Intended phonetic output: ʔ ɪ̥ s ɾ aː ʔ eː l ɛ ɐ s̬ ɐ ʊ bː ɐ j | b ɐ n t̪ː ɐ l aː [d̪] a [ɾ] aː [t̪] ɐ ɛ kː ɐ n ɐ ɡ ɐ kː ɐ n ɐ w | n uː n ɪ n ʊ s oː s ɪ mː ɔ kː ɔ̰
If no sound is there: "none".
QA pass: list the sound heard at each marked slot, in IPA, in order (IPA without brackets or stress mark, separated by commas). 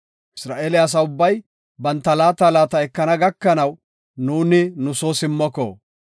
t̪, l, t̪